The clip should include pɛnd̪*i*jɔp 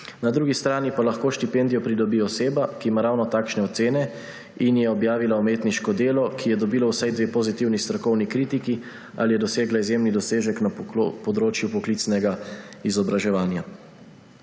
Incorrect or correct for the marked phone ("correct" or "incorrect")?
correct